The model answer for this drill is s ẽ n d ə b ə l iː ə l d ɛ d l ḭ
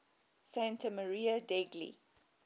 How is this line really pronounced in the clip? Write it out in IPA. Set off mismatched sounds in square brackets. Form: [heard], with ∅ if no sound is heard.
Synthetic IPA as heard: s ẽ n [t] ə [m] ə [ɹ] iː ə [∅] d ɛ [ɡ] l ḭ